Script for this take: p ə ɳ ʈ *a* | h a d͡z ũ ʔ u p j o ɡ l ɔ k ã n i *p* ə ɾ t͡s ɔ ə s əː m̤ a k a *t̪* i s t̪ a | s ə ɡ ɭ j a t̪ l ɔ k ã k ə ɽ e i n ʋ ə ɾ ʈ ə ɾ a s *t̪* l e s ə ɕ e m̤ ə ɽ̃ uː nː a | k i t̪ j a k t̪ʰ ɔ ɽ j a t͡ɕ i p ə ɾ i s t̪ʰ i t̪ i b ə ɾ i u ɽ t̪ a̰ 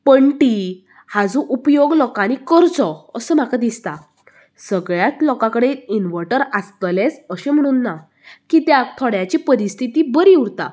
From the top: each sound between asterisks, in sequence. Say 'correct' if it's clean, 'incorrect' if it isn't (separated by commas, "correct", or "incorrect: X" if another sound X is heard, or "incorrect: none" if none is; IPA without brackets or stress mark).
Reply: incorrect: i, incorrect: k, incorrect: d̪, correct